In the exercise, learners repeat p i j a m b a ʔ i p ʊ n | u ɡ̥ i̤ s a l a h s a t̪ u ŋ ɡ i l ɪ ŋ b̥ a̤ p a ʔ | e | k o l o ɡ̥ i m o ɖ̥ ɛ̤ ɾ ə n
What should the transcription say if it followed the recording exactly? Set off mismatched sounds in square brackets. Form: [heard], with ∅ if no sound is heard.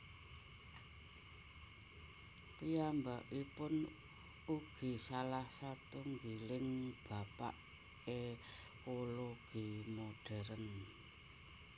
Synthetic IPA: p i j a m b a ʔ i p ʊ n | u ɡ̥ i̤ s a l a h s a t̪ u ŋ ɡ i l ɪ ŋ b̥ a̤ p a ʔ | e | k o l o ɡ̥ i m o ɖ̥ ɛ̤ ɾ ə n